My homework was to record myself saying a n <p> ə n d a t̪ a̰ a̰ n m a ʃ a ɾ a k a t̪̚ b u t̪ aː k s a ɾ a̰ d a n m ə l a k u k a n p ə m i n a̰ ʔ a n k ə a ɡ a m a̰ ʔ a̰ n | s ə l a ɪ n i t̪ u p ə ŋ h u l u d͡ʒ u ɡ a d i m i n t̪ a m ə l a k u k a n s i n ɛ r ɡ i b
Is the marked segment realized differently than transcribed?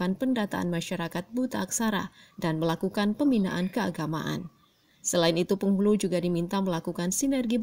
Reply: no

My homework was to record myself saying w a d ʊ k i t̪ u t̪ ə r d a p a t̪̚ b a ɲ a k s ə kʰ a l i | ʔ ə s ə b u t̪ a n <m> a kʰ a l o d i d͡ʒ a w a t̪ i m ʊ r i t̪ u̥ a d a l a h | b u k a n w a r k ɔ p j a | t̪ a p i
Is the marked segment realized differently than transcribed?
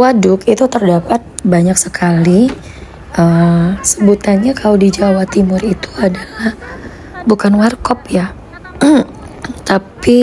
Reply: yes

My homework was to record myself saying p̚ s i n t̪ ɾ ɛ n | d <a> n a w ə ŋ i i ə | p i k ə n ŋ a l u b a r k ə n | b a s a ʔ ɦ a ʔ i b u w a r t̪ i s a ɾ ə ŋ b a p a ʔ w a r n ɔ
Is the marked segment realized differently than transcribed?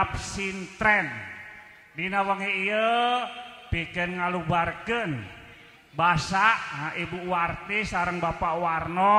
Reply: yes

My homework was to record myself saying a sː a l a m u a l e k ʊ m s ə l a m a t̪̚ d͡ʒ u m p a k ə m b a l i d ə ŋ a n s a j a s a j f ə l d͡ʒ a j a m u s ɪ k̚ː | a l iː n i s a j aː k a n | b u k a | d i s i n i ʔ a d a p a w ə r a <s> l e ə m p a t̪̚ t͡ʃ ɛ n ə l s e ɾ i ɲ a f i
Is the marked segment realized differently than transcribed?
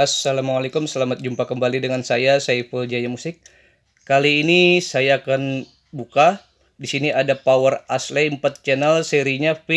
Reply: no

